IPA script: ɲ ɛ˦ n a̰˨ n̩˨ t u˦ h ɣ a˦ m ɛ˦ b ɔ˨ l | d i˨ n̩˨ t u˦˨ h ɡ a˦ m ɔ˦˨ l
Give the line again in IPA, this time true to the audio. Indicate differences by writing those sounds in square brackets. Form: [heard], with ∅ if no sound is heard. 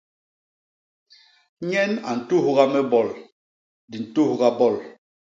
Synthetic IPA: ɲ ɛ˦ n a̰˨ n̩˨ t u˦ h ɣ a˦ m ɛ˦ b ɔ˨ l | d i˨ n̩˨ t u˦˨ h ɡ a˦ [b] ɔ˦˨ l